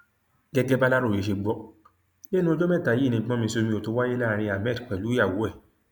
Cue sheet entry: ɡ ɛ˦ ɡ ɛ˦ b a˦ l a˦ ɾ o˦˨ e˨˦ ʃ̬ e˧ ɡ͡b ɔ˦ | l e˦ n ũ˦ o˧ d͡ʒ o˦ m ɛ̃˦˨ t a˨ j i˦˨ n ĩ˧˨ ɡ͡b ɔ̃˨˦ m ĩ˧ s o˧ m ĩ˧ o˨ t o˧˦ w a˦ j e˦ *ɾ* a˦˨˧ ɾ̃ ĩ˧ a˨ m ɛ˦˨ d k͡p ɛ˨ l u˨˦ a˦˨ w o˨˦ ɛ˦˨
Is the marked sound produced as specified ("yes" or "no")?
no